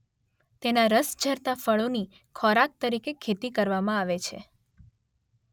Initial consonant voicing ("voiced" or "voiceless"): voiceless